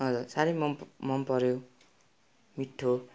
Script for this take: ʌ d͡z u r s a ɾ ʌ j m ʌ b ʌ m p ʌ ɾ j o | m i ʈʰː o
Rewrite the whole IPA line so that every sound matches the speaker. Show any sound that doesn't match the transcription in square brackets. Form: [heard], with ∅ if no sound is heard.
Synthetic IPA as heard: ʌ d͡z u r s a ɾ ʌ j m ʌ [m] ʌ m p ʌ ɾ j o | m i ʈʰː o